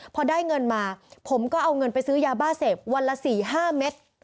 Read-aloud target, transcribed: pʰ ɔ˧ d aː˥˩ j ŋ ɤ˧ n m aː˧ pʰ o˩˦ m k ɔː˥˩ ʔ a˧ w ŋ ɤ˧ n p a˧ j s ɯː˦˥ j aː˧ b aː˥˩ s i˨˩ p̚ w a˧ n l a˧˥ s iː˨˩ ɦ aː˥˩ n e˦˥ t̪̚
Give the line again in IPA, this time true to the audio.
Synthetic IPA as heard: pʰ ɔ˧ d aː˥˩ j ŋ ɤ˧ n m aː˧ pʰ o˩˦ m k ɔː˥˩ ʔ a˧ w ŋ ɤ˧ n p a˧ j s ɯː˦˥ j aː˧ b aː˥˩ s e˨˩ p̚ w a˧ n l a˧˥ s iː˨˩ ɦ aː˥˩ m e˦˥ t̪̚

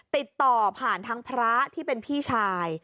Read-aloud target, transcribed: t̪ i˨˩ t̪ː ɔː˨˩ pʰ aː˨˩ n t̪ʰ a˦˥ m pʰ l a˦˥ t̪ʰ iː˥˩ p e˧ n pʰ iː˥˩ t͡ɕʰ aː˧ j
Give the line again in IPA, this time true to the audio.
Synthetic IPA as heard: t̪ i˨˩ t̪ː ɔː˨˩ pʰ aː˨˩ n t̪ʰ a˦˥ ŋ pʰ ɾ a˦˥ t̪ʰ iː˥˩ p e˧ n pʰ iː˥˩ t͡ɕʰ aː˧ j

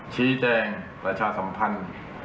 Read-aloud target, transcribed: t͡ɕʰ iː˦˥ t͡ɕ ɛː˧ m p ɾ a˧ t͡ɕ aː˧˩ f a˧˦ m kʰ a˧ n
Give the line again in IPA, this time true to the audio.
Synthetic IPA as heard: t͡ɕʰ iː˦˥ t͡ɕ ɛː˧ ŋ p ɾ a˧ t͡ɕʰ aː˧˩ s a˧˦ m pʰ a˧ n

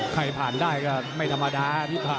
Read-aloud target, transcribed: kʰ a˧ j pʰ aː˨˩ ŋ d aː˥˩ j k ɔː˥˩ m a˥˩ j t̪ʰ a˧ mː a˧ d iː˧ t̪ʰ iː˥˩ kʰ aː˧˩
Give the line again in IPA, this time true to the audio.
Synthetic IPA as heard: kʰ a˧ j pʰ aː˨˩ n d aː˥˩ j k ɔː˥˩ m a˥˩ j t̪ʰ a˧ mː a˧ d aː˧ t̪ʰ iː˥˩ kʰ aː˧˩

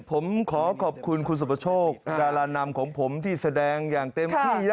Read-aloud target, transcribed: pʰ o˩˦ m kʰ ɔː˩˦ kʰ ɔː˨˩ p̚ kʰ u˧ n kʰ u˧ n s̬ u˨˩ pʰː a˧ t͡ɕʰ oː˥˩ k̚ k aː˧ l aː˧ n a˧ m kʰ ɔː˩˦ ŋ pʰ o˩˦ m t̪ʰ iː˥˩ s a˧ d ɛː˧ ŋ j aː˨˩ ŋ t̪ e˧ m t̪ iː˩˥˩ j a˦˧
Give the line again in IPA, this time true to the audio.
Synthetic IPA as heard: pʰ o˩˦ m kʰ ɔː˩˦ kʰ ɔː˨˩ p̚ kʰ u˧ n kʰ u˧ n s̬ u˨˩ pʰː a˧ t͡ɕʰ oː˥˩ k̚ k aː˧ l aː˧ n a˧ m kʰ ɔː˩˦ ŋ pʰ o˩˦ m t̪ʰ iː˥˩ s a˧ d ɛː˧ ŋ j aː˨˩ ŋ t̪ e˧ m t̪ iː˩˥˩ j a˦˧

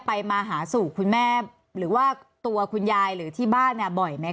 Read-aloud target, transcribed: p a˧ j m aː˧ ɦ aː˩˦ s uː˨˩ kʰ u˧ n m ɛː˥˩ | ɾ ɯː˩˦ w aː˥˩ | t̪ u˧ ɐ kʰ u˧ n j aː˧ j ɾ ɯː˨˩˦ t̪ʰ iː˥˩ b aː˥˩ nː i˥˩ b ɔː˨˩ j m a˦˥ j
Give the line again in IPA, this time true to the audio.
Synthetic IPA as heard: p a˧ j m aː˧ ɦ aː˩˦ s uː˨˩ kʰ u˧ n m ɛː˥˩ | ɾ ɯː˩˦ w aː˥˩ | t̪ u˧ ɐ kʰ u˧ n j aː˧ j ɾ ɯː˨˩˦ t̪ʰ iː˥˩ b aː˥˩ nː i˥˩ b ɔ˨˩ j m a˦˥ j

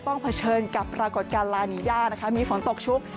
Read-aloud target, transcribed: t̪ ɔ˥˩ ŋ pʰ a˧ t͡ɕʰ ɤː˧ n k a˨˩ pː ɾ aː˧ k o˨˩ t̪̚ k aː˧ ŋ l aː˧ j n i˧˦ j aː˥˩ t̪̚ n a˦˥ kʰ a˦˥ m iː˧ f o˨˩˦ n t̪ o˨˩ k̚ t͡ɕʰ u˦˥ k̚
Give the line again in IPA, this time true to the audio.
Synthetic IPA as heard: t̪ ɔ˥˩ ŋ pʰ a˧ t͡ɕʰ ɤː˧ n k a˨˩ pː ɾ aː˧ k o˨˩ t̪̚ k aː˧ n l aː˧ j n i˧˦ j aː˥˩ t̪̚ n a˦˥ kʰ a˦˥ m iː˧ f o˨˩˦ n t̪ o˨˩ k̚ t͡ɕʰ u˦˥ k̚

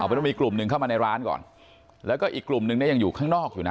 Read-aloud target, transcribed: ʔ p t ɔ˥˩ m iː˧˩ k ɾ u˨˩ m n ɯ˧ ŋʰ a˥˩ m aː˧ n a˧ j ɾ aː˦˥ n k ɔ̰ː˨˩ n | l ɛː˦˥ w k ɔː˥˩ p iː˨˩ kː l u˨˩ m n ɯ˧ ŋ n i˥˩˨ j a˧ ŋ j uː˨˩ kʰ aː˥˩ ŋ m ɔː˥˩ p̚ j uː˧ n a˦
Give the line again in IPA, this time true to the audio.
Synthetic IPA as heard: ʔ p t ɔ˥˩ m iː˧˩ k l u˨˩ m n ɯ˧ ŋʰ a˥˩ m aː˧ n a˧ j ɾ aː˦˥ n k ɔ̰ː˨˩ n | l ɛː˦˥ w k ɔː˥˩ ʔ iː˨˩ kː l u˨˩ m n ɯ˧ ŋ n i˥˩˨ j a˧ ŋ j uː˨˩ kʰ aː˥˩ ŋ n ɔː˥˩ k̚ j uː˨˩ n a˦

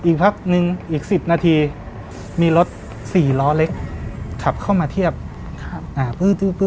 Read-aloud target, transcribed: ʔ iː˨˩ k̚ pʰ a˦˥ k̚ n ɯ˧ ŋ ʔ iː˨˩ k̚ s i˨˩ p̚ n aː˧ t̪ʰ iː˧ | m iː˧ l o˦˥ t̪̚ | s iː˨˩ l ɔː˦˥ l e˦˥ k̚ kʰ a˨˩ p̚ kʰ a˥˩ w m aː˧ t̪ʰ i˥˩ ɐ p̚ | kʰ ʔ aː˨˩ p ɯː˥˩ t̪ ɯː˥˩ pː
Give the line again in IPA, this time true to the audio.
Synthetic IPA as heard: ʔ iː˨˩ k̚ pʰ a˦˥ k̚ n ɯ˧ ŋ ʔ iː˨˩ k̚ s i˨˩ p̚ n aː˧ t̪ʰ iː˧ | m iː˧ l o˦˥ t̪̚ | s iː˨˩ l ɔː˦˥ l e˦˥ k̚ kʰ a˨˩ p̚ kʰ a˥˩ w m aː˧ t̪ʰ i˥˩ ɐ p̚ | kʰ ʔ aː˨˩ p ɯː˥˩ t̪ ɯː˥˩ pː

